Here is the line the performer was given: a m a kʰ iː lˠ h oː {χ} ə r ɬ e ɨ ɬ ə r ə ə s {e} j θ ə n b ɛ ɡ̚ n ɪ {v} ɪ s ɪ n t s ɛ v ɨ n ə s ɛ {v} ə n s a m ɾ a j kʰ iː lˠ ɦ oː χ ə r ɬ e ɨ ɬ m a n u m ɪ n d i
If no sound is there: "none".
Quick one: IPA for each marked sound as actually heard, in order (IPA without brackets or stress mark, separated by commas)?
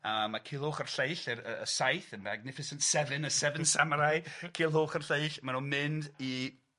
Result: χ, a, f, v